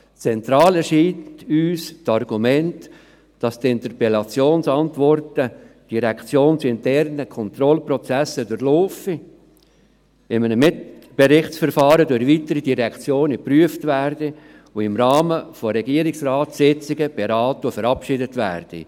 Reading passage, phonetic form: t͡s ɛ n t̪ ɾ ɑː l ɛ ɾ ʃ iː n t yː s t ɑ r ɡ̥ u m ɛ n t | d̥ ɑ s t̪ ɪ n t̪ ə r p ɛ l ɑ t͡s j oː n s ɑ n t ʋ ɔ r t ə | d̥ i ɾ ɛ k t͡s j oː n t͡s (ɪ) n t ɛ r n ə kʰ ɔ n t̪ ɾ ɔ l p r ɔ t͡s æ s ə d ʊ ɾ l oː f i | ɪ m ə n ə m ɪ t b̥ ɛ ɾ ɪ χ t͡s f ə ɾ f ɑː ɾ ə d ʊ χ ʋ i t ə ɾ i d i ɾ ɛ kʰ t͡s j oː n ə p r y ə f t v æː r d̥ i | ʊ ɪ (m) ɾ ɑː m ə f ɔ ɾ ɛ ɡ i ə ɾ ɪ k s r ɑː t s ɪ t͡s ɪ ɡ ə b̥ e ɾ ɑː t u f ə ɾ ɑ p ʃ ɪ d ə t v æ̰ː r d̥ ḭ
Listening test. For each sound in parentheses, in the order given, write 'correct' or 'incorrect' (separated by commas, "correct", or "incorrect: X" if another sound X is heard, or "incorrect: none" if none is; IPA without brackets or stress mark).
correct, correct